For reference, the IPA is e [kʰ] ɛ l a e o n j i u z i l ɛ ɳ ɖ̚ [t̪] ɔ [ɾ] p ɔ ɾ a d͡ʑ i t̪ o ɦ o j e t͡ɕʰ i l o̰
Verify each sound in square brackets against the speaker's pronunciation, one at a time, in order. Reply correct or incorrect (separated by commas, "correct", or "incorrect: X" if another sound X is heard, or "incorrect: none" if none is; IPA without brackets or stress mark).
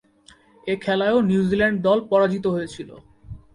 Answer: correct, incorrect: d̪, incorrect: l